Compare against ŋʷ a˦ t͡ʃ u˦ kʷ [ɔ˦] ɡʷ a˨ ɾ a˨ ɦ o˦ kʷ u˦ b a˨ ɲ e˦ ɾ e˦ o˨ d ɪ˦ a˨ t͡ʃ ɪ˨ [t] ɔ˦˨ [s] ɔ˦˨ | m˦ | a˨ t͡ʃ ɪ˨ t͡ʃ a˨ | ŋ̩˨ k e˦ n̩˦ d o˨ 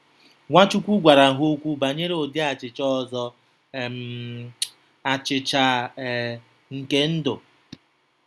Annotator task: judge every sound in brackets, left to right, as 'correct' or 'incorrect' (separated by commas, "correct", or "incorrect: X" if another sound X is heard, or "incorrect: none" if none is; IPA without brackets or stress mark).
incorrect: u˦, incorrect: t͡ʃ, incorrect: z